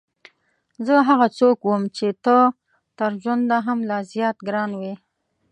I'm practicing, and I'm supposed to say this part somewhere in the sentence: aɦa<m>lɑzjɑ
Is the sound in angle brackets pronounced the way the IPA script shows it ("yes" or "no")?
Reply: yes